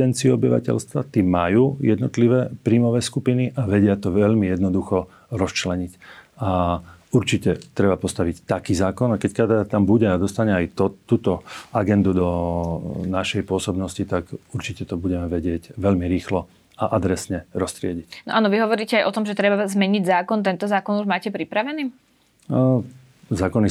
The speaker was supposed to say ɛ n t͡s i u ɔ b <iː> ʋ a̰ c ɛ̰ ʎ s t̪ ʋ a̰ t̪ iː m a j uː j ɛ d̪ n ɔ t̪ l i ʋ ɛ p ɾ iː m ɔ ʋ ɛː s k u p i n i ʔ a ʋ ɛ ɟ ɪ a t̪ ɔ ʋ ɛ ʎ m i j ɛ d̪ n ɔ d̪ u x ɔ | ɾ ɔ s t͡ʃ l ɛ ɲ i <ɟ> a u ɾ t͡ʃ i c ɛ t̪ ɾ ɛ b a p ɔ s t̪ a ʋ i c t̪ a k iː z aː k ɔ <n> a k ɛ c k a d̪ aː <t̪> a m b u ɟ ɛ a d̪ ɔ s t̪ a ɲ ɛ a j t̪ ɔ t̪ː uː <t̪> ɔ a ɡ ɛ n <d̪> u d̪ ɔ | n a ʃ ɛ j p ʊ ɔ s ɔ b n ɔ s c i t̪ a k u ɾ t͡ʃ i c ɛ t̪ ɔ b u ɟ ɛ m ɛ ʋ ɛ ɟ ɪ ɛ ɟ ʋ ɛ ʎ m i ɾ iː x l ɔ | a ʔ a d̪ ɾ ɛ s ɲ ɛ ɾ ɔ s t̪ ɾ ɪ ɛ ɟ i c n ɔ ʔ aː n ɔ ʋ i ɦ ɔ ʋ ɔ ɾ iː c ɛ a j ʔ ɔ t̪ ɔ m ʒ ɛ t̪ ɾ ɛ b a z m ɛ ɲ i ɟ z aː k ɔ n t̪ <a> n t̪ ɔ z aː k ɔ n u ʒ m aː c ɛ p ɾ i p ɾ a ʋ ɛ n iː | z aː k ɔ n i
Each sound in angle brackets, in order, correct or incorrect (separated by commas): incorrect, incorrect, correct, correct, correct, correct, incorrect